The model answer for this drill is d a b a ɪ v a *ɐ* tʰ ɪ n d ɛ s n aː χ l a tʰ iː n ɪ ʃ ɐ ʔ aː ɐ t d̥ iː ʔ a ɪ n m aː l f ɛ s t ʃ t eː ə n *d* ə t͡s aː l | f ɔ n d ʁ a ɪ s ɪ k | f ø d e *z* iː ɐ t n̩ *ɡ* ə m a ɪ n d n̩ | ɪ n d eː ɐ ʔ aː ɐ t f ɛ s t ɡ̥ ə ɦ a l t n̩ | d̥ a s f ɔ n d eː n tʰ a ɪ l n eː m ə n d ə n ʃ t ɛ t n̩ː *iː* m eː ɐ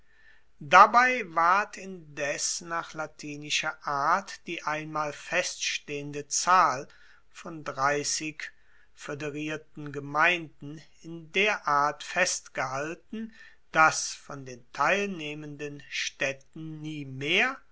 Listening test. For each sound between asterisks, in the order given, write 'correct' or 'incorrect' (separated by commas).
correct, correct, incorrect, correct, correct